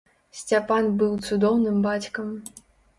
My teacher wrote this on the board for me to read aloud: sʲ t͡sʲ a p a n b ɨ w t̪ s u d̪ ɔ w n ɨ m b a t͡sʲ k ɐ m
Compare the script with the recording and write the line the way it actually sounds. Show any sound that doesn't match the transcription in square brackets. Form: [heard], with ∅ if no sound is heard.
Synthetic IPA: sʲ t͡sʲ a p a n b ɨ w t̪ s u d̪ ɔ w n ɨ m b a t͡sʲ k ɐ m